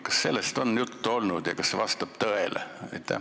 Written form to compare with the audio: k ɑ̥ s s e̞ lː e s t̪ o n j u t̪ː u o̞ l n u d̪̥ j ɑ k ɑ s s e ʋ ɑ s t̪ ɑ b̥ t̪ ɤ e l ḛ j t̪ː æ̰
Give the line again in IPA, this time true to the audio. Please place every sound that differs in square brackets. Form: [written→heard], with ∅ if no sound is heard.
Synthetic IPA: k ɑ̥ s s e̞ lː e s t̪ o n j u t̪ː u o̞ l n u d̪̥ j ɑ k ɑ s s e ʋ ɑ s t̪ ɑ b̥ t̪ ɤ e l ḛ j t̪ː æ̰